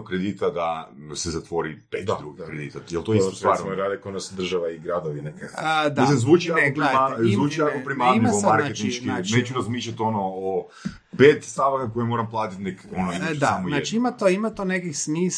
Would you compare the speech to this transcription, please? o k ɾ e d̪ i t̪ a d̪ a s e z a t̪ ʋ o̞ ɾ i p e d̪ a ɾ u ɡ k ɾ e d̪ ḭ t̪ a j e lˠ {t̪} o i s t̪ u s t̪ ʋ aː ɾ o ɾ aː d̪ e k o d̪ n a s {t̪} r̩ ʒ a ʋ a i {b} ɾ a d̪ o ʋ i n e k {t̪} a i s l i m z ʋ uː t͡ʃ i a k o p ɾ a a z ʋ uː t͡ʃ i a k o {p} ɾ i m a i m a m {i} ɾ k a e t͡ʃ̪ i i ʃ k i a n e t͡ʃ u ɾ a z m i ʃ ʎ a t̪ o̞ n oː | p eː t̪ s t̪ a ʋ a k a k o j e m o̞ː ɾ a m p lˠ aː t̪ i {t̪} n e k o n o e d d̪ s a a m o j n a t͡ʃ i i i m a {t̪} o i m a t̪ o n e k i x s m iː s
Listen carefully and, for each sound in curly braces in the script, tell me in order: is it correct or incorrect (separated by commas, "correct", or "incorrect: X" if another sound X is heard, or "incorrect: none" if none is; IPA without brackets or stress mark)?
correct, incorrect: d̪, incorrect: ɡ, incorrect: d̪, correct, incorrect: a, correct, correct